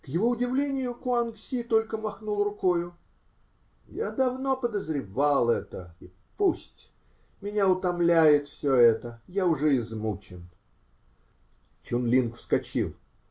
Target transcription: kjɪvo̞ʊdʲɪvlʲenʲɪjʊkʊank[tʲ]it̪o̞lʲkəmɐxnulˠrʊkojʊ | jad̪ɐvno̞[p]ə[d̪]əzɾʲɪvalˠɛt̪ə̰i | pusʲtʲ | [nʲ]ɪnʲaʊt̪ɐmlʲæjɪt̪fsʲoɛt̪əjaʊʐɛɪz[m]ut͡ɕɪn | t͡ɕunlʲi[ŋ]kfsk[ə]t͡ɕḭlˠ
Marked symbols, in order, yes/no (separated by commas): no, yes, yes, no, yes, no, no